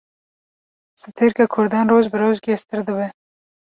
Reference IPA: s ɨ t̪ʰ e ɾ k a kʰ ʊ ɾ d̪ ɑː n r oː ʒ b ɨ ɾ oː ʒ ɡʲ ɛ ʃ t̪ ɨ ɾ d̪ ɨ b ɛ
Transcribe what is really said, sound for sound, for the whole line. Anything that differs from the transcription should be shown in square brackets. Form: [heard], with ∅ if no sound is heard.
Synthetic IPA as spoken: s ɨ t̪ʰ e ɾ k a kʰ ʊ ɾ d̪ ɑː n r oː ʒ b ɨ ɾ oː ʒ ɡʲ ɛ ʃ t̪ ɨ ɾ d̪ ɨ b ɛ